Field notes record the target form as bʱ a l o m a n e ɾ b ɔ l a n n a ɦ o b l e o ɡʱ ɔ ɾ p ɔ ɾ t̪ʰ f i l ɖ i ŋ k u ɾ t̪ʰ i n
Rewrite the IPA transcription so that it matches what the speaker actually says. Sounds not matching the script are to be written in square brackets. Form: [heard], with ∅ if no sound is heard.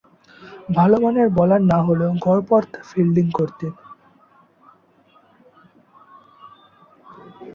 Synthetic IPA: bʱ a l o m a n e ɾ b ɔ l a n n a ɦ o [∅] l e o ɡʱ ɔ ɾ p ɔ ɾ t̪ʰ f i l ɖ i ŋ k [o] ɾ [t̪] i n